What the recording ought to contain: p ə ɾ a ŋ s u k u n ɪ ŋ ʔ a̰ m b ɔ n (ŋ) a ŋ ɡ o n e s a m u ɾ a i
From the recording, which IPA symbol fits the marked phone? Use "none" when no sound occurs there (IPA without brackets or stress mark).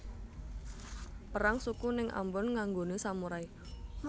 ŋ